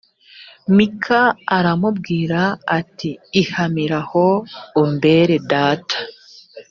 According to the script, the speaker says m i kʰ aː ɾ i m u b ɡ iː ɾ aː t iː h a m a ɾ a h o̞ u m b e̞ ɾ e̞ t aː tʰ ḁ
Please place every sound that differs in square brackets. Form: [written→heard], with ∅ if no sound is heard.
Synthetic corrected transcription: m i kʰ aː ɾ [i→a] m u b ɡ iː ɾ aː t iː h a m [a→i] ɾ a h o̞ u m b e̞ ɾ e̞ [t→d] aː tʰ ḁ